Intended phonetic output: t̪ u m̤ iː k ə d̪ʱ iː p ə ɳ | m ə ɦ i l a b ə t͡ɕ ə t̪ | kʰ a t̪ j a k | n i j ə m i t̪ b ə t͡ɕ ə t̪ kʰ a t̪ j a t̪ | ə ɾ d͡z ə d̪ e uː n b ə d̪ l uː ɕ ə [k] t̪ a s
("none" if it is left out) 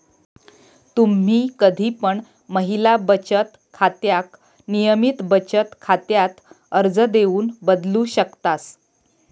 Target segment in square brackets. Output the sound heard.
k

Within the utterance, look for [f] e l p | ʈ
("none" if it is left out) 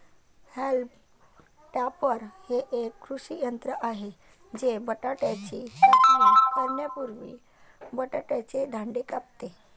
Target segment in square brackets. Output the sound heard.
h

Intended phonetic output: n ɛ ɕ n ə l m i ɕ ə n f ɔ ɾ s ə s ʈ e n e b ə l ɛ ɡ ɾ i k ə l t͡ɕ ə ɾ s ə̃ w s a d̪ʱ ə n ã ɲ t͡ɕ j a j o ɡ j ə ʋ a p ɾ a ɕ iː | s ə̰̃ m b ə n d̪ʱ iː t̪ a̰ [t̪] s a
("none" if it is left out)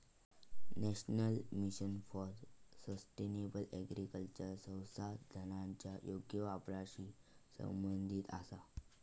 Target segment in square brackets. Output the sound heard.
none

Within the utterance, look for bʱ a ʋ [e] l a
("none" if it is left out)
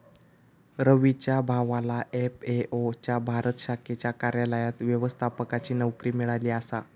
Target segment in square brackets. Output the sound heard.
a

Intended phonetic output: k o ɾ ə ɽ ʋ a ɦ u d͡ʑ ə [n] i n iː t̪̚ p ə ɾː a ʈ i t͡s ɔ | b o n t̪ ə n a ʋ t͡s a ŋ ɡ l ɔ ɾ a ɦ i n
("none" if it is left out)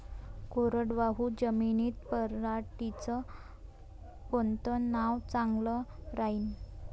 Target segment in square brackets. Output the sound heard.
m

